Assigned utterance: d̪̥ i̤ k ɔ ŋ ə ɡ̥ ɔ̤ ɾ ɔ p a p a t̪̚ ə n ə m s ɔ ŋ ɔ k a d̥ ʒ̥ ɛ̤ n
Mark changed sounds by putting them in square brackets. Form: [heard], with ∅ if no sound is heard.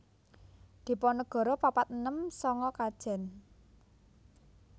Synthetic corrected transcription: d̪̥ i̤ [p] ɔ [n] ə ɡ̥ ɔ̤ ɾ ɔ p a p a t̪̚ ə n ə m s ɔ ŋ ɔ k a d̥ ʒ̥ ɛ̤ n